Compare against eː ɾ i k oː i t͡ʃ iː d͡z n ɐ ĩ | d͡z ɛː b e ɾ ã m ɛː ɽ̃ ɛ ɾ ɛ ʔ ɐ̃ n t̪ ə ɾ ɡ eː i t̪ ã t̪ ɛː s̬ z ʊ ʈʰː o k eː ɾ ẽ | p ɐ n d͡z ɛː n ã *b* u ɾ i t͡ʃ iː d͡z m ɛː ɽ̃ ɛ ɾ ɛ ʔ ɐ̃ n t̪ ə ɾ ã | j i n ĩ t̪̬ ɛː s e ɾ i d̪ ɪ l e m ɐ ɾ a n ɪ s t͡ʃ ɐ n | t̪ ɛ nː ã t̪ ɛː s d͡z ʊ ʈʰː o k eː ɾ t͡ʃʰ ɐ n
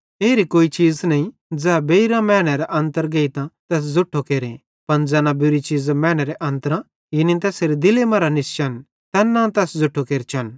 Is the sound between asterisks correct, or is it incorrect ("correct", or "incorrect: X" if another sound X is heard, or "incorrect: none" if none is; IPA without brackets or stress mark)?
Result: correct